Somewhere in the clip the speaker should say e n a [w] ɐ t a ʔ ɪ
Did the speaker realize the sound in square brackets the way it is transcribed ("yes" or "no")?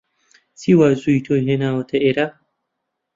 yes